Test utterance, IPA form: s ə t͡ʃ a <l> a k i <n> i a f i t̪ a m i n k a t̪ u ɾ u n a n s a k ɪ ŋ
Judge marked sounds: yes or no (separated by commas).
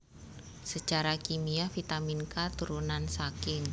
no, no